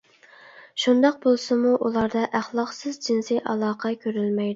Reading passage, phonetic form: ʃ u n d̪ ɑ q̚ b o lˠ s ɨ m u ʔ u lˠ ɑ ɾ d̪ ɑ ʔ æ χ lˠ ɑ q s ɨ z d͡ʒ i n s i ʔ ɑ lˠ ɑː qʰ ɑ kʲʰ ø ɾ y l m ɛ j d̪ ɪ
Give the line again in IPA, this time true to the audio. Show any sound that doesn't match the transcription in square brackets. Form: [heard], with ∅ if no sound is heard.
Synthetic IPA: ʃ u n d̪ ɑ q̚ b o lˠ s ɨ m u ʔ u lˠ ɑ ɾ d̪ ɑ ʔ æ χ lˠ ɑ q s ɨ z d͡ʒ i n s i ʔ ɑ lˠ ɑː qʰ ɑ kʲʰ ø ɾ y l m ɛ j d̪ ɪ